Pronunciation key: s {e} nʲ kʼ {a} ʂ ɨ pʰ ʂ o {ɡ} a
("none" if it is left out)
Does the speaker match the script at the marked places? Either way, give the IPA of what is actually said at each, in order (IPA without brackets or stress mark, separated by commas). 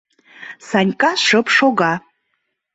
a, a, ɡ